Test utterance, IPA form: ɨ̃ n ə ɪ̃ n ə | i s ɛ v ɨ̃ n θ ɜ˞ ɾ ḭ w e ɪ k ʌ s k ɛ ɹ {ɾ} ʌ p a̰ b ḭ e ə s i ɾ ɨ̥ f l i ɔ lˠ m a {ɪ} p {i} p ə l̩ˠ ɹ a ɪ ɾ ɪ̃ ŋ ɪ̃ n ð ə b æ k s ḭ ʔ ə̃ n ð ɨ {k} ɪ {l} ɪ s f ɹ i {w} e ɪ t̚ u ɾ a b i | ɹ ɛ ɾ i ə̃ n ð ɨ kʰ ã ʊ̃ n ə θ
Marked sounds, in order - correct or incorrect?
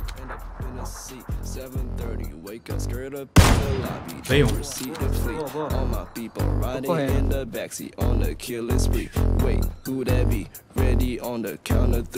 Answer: correct, correct, correct, incorrect: kʰ, correct, correct

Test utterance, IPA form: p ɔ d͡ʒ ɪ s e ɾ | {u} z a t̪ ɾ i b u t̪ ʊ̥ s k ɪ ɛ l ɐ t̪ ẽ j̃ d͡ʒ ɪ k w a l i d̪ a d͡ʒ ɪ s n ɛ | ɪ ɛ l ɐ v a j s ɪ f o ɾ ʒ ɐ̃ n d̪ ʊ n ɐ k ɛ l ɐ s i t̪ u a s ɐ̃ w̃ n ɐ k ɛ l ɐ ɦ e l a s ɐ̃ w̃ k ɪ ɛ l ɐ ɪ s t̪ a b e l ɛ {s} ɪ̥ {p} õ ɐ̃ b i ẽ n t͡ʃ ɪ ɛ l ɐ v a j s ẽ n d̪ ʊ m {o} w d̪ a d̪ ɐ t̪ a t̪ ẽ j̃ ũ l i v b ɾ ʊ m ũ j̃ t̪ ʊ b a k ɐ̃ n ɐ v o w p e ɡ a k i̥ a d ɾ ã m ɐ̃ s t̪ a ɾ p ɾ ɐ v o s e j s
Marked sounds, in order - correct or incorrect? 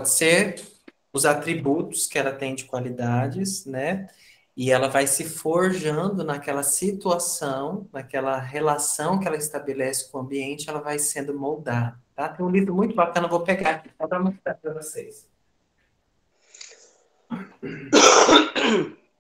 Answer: incorrect: ʊ, correct, incorrect: k, correct

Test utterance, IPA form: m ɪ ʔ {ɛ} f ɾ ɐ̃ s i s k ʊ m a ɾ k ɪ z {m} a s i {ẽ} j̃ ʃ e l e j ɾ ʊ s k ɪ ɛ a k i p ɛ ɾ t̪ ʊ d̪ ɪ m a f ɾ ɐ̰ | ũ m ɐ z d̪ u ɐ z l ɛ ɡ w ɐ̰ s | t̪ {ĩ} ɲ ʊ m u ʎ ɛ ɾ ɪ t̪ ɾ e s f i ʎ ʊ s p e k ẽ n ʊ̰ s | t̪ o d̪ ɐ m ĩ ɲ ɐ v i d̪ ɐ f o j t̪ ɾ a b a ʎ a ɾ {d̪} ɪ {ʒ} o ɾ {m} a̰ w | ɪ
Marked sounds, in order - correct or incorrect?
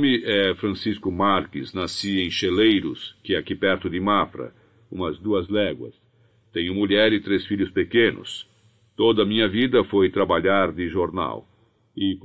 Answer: correct, incorrect: n, correct, incorrect: ẽ, correct, correct, incorrect: n

